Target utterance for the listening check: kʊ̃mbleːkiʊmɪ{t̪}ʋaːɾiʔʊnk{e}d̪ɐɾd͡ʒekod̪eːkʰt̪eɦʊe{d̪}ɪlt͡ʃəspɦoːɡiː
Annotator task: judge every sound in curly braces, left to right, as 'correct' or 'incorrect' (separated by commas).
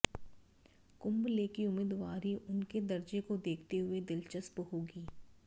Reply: incorrect, correct, correct